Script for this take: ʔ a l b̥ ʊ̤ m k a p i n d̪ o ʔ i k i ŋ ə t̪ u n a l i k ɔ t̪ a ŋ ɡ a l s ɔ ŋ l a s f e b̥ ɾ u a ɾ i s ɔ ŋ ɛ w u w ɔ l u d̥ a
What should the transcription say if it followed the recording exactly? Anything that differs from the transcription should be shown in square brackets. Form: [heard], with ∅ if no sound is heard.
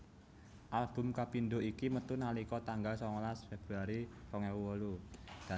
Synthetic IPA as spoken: ʔ a l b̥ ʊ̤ m k a p i n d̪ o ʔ i k i [m] ə t̪ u n a l i k ɔ t̪ a ŋ ɡ a l s ɔ ŋ l a s f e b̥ ɾ u a ɾ i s ɔ ŋ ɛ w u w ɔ l u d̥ a